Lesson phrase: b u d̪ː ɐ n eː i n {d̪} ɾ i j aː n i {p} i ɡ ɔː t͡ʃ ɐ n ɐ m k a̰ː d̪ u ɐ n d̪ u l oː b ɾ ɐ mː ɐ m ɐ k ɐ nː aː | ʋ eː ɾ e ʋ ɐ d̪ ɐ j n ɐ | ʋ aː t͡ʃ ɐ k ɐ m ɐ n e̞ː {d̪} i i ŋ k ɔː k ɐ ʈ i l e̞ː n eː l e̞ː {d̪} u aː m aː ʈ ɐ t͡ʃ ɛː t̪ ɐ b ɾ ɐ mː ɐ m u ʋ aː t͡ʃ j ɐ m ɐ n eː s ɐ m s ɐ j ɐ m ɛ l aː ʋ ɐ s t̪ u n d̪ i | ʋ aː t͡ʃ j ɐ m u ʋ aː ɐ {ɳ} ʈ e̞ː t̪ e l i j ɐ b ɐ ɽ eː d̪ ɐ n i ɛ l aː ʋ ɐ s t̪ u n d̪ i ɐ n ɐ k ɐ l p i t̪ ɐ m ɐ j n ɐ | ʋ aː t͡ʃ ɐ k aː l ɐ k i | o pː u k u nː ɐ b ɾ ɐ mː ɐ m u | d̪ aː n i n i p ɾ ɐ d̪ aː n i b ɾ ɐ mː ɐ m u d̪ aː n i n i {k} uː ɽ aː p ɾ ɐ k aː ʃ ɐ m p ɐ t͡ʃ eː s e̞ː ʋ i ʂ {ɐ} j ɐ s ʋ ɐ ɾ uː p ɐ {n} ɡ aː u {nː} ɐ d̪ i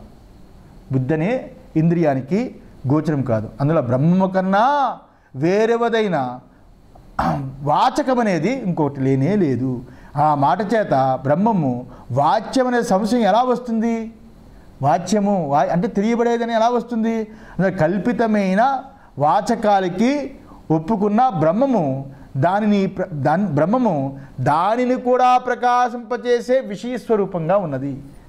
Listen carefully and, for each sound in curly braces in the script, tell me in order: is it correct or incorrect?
correct, incorrect: k, correct, correct, correct, correct, correct, incorrect: ŋ, correct

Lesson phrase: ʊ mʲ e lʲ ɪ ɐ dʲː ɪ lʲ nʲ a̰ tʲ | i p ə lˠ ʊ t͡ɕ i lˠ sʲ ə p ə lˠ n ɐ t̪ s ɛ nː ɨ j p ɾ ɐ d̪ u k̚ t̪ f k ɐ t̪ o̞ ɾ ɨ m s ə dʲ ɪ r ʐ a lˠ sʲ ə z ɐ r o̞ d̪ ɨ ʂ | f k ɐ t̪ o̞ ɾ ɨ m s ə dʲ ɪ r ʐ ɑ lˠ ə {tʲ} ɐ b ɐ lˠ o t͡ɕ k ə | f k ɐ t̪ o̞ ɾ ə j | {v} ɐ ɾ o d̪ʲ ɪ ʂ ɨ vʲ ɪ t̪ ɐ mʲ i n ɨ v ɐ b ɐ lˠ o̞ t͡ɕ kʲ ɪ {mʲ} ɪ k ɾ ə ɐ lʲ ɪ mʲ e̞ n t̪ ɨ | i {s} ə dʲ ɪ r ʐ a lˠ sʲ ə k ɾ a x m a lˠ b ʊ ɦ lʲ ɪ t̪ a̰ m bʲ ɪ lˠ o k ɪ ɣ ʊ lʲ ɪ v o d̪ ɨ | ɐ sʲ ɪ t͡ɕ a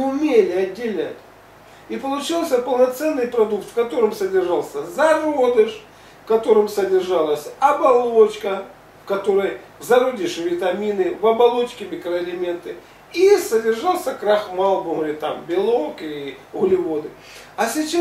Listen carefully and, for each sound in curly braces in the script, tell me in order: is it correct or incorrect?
incorrect: sʲ, incorrect: z, correct, correct

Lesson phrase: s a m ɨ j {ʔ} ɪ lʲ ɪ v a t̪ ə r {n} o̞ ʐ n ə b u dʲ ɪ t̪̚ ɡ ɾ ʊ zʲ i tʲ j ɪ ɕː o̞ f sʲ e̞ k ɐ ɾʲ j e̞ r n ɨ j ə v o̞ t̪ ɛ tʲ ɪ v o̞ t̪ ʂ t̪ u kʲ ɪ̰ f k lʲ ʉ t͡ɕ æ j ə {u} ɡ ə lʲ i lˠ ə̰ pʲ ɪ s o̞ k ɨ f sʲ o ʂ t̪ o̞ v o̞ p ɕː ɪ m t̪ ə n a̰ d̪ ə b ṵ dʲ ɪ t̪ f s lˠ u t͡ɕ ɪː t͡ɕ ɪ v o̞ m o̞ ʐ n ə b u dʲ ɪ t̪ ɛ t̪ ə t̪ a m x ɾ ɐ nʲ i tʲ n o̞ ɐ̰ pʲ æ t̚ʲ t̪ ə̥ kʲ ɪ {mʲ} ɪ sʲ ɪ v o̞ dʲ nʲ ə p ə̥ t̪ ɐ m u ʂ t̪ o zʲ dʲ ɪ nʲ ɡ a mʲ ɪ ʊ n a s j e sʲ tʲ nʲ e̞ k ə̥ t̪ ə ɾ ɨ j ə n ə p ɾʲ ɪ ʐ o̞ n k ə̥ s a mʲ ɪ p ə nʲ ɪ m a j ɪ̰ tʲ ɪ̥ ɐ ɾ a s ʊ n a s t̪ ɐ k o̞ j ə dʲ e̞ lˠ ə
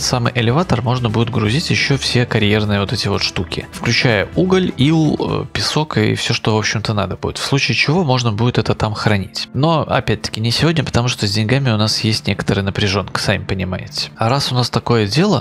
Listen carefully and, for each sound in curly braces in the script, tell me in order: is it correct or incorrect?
correct, incorrect: m, correct, incorrect: nʲ

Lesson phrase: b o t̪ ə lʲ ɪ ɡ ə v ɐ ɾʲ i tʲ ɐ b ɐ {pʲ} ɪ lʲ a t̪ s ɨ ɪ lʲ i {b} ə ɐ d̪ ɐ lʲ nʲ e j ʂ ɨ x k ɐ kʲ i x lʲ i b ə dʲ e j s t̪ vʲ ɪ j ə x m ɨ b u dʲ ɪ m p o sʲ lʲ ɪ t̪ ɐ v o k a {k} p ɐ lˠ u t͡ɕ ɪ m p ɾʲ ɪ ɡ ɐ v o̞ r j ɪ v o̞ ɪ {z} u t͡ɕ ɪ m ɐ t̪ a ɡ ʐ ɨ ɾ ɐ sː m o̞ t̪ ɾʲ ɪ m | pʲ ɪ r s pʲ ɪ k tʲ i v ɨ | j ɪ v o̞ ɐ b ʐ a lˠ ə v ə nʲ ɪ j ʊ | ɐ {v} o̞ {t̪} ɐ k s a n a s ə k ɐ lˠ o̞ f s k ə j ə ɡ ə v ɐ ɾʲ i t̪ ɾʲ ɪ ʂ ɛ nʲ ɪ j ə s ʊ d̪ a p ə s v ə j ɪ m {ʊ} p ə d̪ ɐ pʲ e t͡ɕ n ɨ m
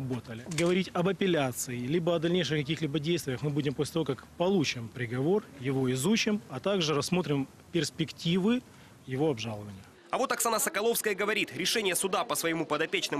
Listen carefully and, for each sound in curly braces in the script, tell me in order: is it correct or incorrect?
correct, correct, correct, correct, correct, correct, incorrect: u

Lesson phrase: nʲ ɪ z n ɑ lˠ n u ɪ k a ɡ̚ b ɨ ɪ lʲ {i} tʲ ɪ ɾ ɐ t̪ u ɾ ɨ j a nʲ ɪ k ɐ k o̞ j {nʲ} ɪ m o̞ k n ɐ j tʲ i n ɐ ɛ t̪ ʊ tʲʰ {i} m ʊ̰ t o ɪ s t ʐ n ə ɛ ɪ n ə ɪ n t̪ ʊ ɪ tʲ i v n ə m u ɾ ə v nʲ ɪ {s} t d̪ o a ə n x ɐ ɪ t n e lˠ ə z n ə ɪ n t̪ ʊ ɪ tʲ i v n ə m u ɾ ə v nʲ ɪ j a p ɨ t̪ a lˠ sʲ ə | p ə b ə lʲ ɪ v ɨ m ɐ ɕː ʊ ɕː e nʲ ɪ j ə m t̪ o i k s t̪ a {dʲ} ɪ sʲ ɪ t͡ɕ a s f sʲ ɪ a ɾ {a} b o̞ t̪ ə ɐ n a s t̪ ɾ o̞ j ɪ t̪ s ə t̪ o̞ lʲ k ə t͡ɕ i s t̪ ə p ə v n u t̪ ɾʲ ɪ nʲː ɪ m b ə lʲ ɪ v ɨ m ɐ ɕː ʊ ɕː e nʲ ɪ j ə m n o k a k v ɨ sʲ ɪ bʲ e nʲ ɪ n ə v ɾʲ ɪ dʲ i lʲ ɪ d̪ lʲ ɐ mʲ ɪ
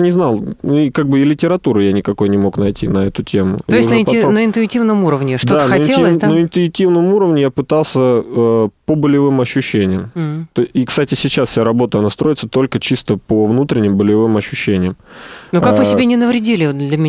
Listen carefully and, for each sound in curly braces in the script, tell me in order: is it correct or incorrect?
incorrect: ɪ, correct, incorrect: e, incorrect: ʂ, incorrect: tʲ, incorrect: ɐ

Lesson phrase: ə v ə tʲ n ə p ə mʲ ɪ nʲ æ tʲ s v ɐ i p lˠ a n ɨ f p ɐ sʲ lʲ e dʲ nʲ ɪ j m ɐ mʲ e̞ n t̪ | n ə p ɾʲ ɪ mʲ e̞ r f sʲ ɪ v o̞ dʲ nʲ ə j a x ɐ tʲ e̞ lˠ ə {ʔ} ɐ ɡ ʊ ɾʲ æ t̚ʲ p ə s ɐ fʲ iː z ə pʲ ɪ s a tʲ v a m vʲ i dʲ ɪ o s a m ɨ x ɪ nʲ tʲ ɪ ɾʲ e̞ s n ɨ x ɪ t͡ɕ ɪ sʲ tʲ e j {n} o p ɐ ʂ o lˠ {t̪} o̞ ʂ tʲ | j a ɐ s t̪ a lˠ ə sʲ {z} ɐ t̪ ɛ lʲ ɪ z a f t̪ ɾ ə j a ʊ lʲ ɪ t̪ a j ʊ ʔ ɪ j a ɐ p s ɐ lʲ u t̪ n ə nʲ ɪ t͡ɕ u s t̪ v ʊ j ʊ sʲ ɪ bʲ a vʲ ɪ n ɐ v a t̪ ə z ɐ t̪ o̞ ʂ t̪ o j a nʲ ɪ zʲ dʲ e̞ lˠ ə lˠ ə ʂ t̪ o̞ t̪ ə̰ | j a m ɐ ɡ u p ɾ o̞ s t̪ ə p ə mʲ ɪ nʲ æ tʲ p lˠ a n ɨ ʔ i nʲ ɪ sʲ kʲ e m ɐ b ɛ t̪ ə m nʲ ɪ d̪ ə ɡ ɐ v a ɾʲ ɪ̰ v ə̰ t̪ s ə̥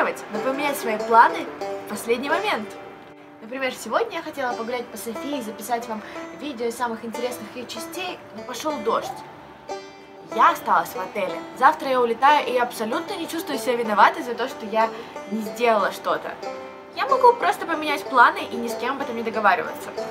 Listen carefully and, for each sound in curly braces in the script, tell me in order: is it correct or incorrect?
incorrect: p, correct, incorrect: d̪, incorrect: v

